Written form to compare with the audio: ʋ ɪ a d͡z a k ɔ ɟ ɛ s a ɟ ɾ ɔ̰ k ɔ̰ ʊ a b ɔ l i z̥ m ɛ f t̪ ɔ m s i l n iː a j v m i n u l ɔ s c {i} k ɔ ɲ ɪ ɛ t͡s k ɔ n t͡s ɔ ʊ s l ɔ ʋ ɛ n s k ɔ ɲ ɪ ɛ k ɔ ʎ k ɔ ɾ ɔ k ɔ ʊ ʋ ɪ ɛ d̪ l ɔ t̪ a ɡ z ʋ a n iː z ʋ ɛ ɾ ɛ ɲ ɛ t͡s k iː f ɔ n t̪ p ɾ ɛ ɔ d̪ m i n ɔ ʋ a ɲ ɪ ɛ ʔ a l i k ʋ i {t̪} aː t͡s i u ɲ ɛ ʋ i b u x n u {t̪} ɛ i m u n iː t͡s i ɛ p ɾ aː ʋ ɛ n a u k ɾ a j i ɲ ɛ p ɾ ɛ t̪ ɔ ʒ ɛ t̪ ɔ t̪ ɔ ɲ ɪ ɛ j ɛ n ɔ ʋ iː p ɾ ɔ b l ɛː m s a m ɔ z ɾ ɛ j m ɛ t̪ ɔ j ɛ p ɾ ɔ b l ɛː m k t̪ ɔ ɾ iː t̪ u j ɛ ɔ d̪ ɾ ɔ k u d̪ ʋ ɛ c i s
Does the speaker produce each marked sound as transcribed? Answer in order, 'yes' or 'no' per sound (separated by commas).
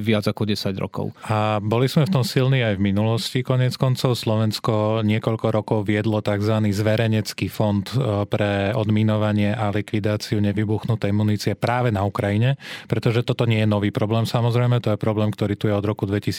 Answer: yes, no, yes